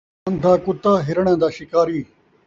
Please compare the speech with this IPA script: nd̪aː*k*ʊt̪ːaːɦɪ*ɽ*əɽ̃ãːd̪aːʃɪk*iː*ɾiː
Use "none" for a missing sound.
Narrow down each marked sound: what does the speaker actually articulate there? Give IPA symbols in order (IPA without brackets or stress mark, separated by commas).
k, ɾ, aː